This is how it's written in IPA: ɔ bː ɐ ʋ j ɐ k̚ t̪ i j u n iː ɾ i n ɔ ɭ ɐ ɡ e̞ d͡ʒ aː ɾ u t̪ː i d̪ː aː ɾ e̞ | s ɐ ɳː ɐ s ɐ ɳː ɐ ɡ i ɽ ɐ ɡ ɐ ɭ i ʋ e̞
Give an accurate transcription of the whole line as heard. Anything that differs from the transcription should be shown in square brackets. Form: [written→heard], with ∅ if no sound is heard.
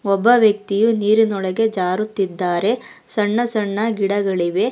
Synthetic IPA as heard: ɔ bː ɐ ʋ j ɐ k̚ t̪ i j u n iː ɾ i n ɔ ɭ ɐ ɡ e̞ d͡ʒ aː ɾ u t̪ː i d̪ː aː ɾ e̞ | s ɐ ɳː ɐ s ɐ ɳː ɐ ɡ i ɽ ɐ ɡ ɐ ɭ i ʋ e̞